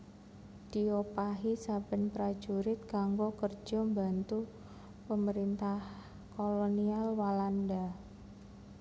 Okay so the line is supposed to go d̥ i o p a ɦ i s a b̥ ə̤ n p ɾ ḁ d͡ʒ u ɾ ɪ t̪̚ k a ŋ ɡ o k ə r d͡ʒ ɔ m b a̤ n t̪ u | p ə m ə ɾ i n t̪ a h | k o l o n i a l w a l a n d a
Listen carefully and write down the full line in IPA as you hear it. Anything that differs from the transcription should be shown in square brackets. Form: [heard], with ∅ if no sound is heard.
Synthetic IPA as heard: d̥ i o p a ɦ i s a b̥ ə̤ n p ɾ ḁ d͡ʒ u ɾ ɪ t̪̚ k a ŋ ɡ o k ə r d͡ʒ ɔ m b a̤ n t̪ u | p ə m ə ɾ i n t̪ a h | k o l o n i a l w a l a n d a